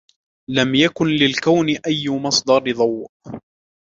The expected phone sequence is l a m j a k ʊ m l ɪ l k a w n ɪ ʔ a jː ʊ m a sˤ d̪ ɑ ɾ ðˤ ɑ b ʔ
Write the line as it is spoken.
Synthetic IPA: l a m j a k ʊ n l ɪ l k a w n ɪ ʔ a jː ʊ m ɑ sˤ d̪ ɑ ɾ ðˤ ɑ w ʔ